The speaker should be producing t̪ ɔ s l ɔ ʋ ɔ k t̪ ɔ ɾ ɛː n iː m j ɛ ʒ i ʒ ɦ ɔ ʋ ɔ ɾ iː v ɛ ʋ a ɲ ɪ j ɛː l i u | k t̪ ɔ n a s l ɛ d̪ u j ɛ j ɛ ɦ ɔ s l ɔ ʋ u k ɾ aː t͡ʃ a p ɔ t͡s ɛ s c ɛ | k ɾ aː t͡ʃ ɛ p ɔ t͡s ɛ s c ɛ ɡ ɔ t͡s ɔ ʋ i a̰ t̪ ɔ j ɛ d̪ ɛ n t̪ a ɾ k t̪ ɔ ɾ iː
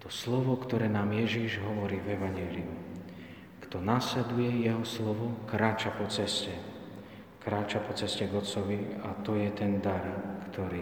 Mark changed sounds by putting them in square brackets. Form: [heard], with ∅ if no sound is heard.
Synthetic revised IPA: t̪ ɔ s l ɔ ʋ ɔ k t̪ ɔ ɾ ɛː n [aː] m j ɛ ʒ i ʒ ɦ ɔ ʋ ɔ ɾ iː v ɛ ʋ a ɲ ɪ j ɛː l i u | k t̪ ɔ n a s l ɛ d̪ u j ɛ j ɛ ɦ ɔ s l ɔ ʋ [ɔ] k ɾ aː t͡ʃ a p ɔ t͡s ɛ s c ɛ | k ɾ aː t͡ʃ [a] p ɔ t͡s ɛ s c ɛ ɡ ɔ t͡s ɔ ʋ i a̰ t̪ ɔ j ɛ [t̪] ɛ n [d̪] a ɾ k t̪ ɔ ɾ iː